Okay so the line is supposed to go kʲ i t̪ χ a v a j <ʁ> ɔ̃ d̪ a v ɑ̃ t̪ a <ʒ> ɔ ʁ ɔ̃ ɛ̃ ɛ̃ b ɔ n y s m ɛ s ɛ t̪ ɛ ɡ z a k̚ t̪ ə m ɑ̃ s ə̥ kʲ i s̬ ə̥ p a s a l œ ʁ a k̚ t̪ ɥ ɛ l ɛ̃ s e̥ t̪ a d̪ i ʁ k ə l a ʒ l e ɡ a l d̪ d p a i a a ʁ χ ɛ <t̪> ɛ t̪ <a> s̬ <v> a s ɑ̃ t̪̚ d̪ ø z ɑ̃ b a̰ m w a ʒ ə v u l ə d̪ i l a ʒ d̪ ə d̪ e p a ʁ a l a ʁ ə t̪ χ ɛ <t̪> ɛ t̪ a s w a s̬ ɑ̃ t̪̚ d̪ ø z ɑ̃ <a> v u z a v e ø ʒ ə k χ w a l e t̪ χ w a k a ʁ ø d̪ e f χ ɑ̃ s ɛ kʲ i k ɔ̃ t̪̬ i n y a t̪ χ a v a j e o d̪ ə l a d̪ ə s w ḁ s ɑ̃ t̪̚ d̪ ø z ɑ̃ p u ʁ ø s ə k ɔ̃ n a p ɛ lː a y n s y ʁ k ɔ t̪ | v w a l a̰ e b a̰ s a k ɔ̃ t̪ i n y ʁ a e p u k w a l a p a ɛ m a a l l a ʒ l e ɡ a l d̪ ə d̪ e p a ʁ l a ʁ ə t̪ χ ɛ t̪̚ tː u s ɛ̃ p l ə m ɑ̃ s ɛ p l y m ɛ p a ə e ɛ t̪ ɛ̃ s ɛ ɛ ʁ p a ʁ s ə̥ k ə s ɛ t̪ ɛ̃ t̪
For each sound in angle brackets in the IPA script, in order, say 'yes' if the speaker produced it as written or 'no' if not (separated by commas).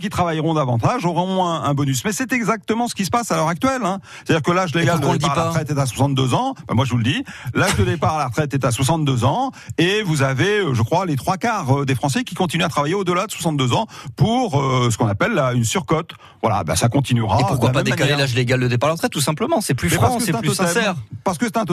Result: yes, yes, yes, yes, no, yes, no